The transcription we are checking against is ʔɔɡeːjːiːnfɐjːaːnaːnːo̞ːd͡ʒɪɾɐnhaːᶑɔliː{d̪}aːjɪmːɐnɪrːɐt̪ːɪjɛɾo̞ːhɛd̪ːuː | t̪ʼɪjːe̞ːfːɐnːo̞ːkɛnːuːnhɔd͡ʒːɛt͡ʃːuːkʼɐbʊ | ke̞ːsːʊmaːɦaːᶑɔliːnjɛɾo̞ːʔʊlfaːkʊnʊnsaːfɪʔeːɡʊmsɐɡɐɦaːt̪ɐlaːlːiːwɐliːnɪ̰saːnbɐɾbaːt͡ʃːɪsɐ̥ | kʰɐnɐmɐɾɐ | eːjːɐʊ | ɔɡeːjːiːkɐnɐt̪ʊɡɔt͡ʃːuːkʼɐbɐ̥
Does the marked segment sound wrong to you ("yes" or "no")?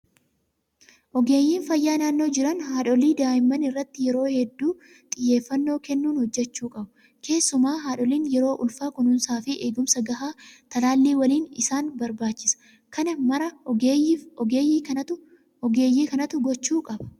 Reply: no